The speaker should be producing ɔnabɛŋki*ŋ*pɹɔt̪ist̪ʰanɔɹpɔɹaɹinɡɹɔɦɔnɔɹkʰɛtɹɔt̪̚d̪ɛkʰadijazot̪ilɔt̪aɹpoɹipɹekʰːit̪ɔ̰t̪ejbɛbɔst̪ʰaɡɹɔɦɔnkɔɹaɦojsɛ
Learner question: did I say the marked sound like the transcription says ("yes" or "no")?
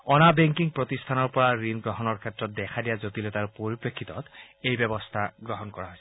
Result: yes